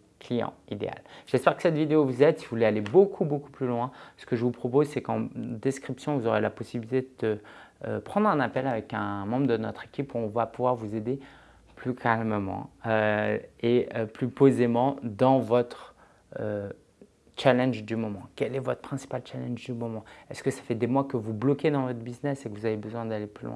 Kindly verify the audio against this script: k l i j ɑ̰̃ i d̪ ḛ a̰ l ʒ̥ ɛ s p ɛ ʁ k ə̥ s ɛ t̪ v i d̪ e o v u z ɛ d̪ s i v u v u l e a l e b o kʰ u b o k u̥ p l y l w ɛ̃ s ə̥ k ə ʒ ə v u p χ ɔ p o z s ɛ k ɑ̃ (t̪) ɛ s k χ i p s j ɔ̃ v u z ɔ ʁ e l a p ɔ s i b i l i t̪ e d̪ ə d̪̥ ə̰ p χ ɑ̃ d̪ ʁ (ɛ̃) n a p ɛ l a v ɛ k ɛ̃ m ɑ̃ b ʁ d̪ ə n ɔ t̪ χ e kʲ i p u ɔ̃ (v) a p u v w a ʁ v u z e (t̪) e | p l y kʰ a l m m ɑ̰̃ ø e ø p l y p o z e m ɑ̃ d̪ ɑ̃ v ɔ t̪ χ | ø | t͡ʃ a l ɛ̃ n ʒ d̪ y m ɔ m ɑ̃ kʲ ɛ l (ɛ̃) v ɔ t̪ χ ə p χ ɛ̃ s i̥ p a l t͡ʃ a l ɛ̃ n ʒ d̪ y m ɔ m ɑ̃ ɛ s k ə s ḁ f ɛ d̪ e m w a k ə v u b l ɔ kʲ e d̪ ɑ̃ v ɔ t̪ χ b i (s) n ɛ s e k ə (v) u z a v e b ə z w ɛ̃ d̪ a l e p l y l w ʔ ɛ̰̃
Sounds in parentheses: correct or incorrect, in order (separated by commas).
incorrect, correct, correct, incorrect, incorrect, incorrect, correct